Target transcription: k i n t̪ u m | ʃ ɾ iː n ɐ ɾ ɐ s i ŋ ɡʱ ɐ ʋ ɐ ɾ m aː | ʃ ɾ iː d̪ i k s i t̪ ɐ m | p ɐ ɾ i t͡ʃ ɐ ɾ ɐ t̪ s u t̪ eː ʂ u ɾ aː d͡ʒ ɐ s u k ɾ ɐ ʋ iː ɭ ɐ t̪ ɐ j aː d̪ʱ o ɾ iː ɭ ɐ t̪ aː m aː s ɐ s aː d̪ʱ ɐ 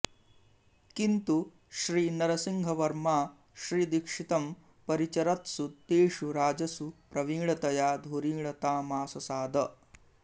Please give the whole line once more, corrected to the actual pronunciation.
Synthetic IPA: k i n t̪ u | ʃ ɾ iː n ɐ ɾ ɐ s i ŋ ɡʱ ɐ ʋ ɐ ɾ m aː | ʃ ɾ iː d̪ i k ʂ i t̪ ɐ m | p ɐ ɾ i t͡ʃ ɐ ɾ ɐ t̪ s u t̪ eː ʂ u ɾ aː d͡ʒ ɐ s u p ɾ ɐ ʋ iː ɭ ɐ t̪ ɐ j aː d̪ʱ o ɾ iː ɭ ɐ t̪ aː m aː s ɐ s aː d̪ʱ ɐ

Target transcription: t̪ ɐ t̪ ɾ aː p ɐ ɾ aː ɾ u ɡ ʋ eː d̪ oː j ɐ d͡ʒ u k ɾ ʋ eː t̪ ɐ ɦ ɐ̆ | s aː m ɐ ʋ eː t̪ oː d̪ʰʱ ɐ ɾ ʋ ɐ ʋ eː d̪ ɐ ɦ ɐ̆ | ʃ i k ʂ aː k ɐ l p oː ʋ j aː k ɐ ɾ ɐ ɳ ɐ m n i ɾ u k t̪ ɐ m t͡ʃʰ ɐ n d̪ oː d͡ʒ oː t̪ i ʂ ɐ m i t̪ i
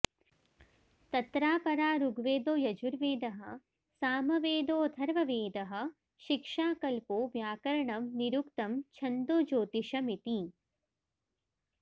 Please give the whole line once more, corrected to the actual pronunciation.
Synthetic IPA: t̪ ɐ t̪ ɾ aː p ɐ ɾ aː ɾ u ɡ ʋ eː d̪ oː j ɐ d͡ʒ u ɾ ʋ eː d̪ ɐ ɦ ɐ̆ | s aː m ɐ ʋ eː d̪ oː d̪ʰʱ ɐ ɾ ʋ ɐ ʋ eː d̪ ɐ ɦ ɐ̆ | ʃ i k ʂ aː k ɐ l p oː ʋ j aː k ɐ ɾ ɐ ɳ ɐ m n i ɾ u k t̪ ɐ m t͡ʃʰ ɐ n d̪ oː d͡ʒ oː t̪ i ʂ ɐ m i t̪ i

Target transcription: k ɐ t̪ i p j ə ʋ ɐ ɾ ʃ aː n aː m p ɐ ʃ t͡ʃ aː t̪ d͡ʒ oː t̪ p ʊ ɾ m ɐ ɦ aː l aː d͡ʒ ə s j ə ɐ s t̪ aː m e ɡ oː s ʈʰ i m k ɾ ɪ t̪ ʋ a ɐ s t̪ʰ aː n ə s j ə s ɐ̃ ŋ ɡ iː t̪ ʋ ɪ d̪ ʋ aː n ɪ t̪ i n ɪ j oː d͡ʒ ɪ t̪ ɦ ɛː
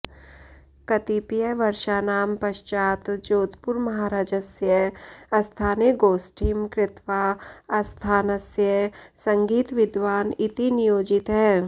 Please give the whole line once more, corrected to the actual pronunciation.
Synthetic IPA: k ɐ t̪ i p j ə ʋ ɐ ɾ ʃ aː n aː m p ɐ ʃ t͡ʃ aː t̪ d͡ʒ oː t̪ p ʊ ɾ m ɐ ɦ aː ɾ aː d͡ʒ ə s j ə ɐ s t̪ʰ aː n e ɡ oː s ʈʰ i m k ɾ ɪ t̪ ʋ a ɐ s t̪ʰ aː n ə s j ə s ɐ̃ ŋ ɡ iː t̪ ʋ ɪ d̪ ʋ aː n ɪ t̪ i n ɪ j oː d͡ʒ ɪ t̪ ɦ ɛː

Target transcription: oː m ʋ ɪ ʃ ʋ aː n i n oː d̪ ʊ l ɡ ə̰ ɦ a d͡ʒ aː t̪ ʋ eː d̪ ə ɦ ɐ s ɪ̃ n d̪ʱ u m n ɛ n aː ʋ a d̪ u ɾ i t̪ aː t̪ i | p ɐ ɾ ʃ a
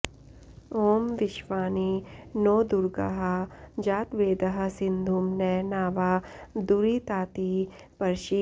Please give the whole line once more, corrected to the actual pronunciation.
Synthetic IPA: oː m ʋ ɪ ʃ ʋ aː n i n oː d̪ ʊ ɾ ɡ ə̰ ɦ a d͡ʒ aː t̪ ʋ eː d̪ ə ɦ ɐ s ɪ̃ n d̪ʱ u m n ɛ n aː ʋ a d̪ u ɾ i t̪ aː t̪ i | p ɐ ɾ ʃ i

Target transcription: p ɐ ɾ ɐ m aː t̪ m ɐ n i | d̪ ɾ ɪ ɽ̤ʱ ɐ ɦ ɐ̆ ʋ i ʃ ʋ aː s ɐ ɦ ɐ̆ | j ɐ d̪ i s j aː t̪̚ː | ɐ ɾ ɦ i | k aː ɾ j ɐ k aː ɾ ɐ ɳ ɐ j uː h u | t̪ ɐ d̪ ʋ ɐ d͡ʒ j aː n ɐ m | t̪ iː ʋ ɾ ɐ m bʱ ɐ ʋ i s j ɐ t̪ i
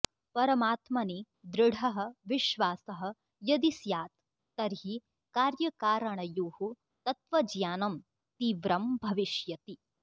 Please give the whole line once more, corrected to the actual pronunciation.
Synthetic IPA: p ɐ ɾ ɐ m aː t̪ m ɐ n i | d̪ ɾ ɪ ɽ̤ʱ ɐ ɦ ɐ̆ ʋ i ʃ ʋ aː s ɐ ɦ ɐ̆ | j ɐ d̪ i s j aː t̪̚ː | ɐ ɾ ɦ i | k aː ɾ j ɐ k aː ɾ ɐ ɳ ɐ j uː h u | t̪ ɐ t̪ ʋ ɐ d͡ʒ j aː n ɐ m | t̪ iː ʋ ɾ ɐ m bʱ ɐ ʋ i ʃ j ɐ t̪ i

